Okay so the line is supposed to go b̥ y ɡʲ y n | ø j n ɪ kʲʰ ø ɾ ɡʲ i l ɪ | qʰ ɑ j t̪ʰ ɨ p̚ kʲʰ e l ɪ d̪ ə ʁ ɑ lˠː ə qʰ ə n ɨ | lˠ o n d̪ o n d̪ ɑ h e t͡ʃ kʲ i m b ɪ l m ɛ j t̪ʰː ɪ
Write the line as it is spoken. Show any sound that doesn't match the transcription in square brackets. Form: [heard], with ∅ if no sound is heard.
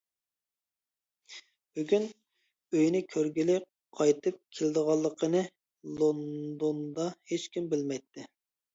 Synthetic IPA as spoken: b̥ y ɡʲ y n | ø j n ɪ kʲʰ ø ɾ ɡʲ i l ɪ | qʰ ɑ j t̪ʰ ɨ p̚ kʲʰ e l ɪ d̪ ə ʁ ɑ lˠː ə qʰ ə n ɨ | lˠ o n d̪ o n d̪ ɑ h e t͡ʃ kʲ i m b ɪ l m ɛ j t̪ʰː ɪ